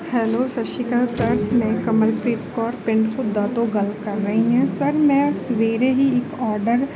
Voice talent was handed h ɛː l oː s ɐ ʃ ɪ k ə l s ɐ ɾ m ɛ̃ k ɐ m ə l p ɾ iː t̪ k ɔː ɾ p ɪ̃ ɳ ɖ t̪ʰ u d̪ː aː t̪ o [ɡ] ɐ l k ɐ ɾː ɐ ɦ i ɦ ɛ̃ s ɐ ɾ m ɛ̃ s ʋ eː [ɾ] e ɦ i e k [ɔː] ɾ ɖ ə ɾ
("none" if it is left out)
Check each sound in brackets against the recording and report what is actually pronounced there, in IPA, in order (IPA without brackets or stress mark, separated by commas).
ɡ, ɾ, ɔː